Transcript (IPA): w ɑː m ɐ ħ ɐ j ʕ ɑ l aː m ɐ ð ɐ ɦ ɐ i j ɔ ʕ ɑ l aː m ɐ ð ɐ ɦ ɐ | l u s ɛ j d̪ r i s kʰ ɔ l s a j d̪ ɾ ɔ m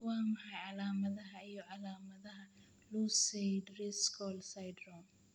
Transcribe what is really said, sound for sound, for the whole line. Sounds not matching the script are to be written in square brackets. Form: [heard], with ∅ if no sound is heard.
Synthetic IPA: w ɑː m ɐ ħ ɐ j ʕ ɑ l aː m ɐ ð ɐ ɦ ɐ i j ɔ ʕ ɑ l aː m ɐ ð ɐ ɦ ɐ | l u s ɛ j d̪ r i s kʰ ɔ l s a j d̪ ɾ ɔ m